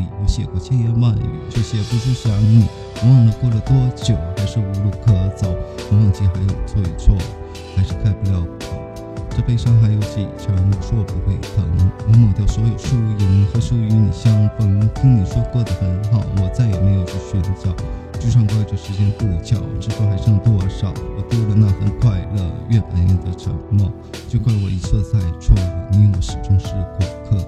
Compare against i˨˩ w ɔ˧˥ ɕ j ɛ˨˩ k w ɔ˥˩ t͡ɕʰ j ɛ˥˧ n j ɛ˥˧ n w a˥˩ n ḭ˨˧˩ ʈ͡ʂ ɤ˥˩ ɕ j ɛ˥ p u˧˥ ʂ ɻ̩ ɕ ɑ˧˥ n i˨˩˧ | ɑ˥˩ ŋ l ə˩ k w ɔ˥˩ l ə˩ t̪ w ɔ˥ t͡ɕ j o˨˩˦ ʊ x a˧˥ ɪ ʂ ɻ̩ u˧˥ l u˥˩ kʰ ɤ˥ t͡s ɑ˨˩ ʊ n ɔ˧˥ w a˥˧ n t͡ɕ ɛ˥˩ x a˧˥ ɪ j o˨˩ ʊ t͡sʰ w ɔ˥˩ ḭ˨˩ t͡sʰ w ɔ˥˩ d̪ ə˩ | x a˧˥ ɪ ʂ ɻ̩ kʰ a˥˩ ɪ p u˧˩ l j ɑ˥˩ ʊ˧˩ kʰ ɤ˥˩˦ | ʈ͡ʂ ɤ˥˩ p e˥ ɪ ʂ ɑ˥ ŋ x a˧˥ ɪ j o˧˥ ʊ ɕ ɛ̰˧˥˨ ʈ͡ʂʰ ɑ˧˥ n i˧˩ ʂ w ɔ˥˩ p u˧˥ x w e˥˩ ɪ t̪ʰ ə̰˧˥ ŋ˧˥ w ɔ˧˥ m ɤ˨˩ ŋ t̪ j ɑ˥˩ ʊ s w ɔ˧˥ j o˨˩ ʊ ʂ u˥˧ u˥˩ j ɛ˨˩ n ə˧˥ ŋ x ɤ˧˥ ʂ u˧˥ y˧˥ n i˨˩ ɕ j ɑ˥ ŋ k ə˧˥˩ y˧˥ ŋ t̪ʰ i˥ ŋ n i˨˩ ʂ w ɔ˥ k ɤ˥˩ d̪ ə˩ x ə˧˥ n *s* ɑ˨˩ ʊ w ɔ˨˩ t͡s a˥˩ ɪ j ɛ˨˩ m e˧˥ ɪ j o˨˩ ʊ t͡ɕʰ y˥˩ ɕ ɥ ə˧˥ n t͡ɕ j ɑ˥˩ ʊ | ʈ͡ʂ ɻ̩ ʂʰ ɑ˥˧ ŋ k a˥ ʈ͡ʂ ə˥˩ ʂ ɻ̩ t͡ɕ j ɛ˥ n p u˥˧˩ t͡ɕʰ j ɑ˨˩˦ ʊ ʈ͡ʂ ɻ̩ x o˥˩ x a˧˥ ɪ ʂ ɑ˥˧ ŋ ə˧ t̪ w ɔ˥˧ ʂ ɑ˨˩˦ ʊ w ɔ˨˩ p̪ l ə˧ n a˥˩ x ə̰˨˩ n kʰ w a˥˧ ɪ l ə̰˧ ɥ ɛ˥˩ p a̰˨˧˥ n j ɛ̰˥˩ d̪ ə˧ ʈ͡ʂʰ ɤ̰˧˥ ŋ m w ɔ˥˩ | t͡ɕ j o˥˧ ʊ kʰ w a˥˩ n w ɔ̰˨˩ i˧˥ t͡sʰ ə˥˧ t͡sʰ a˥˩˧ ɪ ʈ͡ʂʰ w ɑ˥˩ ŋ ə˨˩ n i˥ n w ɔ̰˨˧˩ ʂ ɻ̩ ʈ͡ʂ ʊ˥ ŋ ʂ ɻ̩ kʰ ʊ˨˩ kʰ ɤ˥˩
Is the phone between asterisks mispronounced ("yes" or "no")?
yes